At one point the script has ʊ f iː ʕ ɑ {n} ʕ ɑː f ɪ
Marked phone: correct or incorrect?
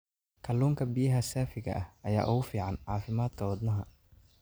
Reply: correct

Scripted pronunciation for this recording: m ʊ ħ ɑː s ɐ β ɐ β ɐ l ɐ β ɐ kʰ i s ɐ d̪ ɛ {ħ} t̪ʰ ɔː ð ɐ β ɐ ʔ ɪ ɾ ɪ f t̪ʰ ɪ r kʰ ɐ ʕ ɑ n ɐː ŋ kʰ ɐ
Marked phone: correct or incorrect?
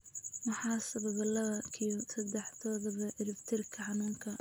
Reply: correct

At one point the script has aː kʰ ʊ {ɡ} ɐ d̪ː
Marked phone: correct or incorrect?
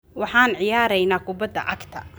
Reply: incorrect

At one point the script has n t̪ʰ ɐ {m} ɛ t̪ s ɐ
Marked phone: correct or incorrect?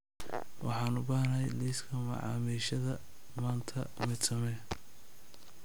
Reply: correct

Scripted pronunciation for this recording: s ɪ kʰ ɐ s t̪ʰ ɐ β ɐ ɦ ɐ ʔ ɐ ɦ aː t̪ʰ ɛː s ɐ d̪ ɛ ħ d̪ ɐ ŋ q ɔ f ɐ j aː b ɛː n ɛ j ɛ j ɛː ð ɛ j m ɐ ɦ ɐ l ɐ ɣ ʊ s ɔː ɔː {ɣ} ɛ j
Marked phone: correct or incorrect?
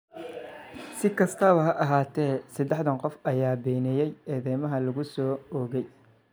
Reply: correct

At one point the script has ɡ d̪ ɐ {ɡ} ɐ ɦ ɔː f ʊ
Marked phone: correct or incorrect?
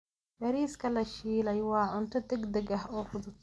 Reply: correct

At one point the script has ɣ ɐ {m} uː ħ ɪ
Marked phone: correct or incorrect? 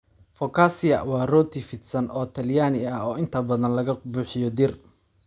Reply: incorrect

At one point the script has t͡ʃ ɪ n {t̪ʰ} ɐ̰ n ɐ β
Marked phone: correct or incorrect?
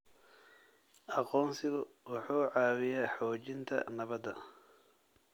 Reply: correct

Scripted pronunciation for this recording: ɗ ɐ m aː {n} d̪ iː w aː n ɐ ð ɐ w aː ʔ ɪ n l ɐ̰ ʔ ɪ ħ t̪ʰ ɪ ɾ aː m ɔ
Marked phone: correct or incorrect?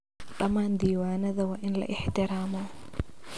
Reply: correct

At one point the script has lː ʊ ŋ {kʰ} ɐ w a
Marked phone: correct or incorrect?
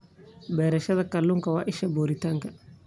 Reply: incorrect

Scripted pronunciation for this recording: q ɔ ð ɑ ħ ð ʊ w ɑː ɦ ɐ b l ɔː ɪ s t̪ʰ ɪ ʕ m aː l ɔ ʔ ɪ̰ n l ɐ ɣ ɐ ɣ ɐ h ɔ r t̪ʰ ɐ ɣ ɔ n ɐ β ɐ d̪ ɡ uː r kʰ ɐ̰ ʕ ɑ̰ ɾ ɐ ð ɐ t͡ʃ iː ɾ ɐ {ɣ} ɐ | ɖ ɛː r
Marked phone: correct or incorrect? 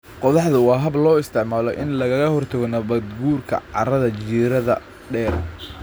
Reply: incorrect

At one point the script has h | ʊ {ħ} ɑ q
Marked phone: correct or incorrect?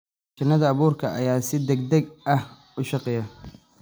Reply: incorrect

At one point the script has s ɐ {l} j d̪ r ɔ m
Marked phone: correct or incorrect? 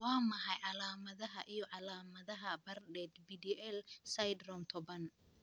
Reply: incorrect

